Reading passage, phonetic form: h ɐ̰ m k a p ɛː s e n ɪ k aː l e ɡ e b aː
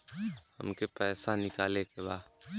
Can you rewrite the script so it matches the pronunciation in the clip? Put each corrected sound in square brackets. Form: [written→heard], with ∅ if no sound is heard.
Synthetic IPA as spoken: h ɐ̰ m k [a→e] p ɛː s [e→a] n ɪ k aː l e [ɡ→k] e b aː